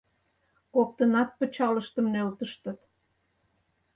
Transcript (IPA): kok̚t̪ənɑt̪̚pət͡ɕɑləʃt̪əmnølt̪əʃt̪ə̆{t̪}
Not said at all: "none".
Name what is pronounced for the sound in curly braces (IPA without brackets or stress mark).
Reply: t̪